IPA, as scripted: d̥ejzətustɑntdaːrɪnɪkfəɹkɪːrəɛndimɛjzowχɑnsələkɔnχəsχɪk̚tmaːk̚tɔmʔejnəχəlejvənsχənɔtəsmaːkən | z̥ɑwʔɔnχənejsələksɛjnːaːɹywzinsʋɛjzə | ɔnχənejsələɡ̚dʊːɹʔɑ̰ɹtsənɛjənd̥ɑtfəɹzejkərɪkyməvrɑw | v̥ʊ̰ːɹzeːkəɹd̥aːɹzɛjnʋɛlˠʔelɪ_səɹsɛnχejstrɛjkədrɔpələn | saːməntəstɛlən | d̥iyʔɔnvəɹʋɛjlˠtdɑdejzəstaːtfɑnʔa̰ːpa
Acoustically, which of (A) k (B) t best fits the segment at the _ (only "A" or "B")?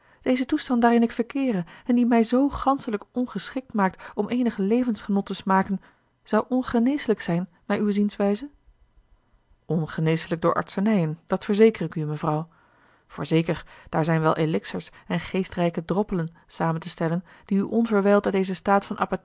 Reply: A